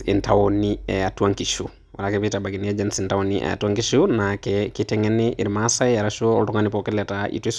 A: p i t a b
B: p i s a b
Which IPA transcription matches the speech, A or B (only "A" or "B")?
A